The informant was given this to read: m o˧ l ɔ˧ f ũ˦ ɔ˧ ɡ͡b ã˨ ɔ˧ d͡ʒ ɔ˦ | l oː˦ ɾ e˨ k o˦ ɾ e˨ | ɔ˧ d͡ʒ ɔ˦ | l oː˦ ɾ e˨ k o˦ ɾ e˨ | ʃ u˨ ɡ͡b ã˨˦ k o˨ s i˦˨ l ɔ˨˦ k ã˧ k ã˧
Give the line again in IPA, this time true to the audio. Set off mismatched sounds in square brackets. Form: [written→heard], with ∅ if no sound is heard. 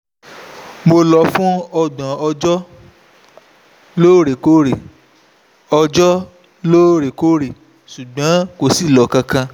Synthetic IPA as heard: m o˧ l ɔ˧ f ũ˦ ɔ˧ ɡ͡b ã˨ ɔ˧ d͡ʒ ɔ˦ | l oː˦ ɾ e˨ k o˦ ɾ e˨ | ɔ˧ d͡ʒ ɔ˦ | l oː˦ ɾ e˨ k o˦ ɾ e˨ | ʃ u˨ ɡ͡b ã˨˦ k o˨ s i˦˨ l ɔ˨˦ k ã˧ k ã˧